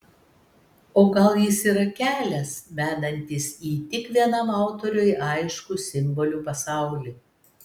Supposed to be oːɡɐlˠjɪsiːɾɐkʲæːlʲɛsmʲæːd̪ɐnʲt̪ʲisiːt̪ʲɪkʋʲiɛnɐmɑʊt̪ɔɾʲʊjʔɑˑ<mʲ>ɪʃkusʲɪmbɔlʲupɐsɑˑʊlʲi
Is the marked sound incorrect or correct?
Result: incorrect